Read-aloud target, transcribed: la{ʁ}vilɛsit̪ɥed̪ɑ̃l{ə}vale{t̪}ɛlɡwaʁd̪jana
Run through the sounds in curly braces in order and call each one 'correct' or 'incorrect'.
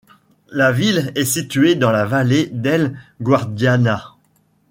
incorrect: none, incorrect: a, incorrect: d̪

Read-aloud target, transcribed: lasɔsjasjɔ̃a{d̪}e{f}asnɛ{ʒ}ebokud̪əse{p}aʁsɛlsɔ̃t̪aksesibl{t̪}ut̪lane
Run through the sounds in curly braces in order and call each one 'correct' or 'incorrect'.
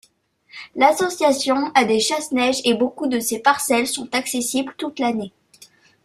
correct, incorrect: ʃ, correct, correct, correct

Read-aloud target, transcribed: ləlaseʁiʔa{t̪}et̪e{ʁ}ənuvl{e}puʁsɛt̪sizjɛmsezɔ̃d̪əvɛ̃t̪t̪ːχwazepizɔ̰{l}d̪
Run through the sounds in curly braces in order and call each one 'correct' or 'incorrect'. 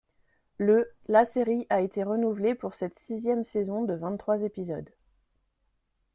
incorrect: none, correct, correct, incorrect: none

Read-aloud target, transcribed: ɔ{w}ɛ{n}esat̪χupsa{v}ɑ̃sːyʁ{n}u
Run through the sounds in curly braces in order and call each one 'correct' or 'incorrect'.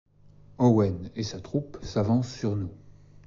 correct, correct, correct, correct

